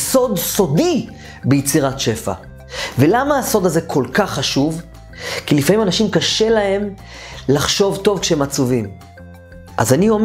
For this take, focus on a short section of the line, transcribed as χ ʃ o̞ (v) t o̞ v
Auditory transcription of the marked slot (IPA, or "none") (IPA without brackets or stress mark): v